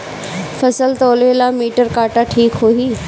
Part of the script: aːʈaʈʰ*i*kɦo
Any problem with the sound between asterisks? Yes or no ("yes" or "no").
yes